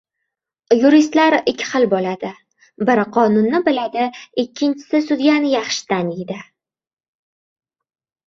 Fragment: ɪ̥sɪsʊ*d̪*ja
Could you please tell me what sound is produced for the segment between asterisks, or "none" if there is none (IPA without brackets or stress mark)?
d̪